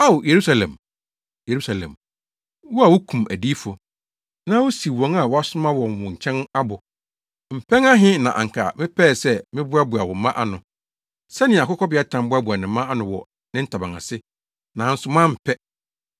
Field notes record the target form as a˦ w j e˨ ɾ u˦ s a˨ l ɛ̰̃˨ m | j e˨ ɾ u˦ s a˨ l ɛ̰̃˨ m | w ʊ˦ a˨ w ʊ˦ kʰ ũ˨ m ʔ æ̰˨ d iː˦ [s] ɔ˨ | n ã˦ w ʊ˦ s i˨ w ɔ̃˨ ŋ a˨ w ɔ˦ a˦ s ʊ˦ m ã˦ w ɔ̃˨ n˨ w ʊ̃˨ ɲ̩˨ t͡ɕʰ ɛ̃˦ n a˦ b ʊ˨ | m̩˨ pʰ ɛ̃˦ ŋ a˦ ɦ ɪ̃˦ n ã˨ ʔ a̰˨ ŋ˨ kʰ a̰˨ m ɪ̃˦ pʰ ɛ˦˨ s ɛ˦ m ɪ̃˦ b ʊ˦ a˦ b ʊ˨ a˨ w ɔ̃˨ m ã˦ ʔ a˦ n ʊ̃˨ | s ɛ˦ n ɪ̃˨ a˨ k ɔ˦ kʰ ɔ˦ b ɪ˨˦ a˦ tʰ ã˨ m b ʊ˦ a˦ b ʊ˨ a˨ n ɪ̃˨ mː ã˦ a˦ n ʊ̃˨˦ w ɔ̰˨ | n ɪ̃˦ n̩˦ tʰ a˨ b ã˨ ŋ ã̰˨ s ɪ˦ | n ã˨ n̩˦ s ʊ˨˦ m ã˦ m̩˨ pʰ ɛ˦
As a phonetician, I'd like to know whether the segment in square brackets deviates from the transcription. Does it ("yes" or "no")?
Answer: yes